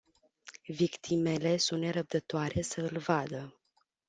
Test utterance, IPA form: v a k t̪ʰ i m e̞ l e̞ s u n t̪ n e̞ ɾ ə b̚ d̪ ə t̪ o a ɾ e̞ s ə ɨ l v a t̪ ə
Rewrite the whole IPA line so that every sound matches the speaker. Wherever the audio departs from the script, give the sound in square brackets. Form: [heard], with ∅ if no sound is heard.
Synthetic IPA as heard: v [i] k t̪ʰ i m e̞ l e̞ s u n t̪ n e̞ ɾ ə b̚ d̪ ə t̪ o a ɾ e̞ s ə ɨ l v a [d̪] ə